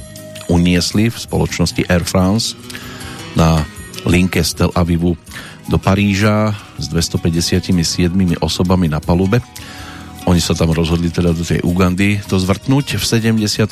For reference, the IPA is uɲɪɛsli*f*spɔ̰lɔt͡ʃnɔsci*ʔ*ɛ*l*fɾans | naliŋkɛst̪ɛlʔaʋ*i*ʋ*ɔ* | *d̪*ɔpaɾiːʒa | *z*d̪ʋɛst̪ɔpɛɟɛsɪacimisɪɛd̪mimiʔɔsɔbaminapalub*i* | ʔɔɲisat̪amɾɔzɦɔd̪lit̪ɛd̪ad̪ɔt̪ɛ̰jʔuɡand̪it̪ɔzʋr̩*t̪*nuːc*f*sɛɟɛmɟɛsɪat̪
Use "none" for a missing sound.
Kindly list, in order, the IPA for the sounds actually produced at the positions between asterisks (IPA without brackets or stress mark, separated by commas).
f, ʔ, ɾ, i, u, d̪, z, ɛ, t̪, f